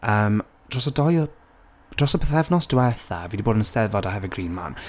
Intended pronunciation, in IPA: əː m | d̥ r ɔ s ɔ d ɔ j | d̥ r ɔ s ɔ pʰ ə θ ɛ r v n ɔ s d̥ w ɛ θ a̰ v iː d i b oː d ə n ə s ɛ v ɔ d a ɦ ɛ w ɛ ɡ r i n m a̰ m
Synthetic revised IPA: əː m | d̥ r ɔ s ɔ d ɔ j | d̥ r ɔ s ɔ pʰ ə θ ɛ v n ɔ s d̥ w ɛ θ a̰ v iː d i b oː d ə n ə s ɛ v ɔ d a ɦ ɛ v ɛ ɡ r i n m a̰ n